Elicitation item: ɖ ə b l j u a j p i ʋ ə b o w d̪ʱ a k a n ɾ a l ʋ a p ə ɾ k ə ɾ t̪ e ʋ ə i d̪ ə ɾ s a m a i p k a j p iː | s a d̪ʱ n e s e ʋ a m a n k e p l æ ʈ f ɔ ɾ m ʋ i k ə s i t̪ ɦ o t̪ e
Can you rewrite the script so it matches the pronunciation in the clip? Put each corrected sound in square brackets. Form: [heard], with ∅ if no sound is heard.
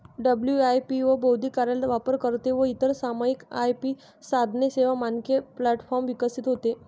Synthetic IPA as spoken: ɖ ə b l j u a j p i ʋ ə b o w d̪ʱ [i] k a [∅] ɾ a l ʋ a p ə ɾ k ə ɾ t̪ e ʋ ə i [t̪] ə ɾ s a m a i [∅] k a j p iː | s a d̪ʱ n e s e ʋ a m a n k e p l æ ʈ f ɔ ɾ m ʋ i k ə s i t̪ ɦ o t̪ e